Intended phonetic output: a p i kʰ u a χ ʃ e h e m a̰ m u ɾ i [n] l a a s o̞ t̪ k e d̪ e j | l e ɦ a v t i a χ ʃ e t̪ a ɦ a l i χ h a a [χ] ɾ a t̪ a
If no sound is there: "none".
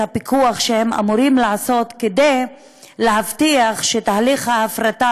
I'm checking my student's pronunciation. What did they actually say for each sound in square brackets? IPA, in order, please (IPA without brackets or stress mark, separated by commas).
m, f